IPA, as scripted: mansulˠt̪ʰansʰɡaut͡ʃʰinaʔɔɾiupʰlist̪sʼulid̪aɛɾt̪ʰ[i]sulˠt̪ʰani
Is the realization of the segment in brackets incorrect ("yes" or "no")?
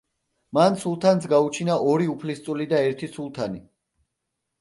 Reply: no